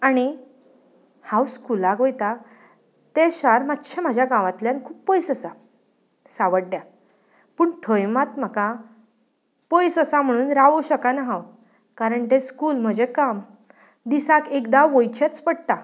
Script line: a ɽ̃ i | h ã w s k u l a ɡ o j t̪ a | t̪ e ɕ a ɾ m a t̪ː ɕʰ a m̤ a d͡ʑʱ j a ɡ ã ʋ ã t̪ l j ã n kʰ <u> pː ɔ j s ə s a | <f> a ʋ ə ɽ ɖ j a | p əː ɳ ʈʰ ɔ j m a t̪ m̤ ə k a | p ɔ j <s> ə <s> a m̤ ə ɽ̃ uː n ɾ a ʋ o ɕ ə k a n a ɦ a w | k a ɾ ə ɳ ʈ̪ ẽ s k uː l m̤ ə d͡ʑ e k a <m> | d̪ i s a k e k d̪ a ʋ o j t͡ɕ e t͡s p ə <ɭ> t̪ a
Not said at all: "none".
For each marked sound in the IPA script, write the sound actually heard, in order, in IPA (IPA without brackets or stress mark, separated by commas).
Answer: uː, s, s, s, m, ɽ